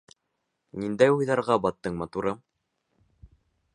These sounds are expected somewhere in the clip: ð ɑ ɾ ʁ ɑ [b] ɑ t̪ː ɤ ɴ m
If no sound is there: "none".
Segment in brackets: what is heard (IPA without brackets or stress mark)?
b